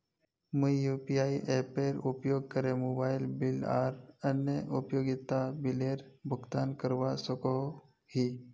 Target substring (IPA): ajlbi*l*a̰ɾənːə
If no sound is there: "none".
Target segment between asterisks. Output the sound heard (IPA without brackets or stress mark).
l